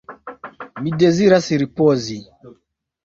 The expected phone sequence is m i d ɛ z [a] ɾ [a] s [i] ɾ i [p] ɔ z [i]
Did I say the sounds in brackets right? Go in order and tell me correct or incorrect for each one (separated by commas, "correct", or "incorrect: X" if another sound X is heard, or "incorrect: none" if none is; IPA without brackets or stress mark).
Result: incorrect: i, correct, correct, correct, correct